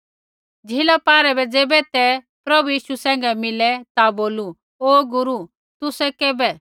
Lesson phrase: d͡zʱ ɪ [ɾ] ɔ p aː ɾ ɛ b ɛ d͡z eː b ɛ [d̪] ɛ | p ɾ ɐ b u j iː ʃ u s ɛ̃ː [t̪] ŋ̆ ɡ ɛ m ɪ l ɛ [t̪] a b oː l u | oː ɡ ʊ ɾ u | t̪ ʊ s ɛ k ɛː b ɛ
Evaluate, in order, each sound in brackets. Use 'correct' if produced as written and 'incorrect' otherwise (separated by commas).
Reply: incorrect, incorrect, incorrect, correct